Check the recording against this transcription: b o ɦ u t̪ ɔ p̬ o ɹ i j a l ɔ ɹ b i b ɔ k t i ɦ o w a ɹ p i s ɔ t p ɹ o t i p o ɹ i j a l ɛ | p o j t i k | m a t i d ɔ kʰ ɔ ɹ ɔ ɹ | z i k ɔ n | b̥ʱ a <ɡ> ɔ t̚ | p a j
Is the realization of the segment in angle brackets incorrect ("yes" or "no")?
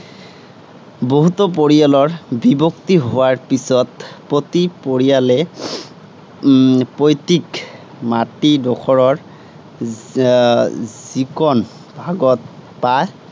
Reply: no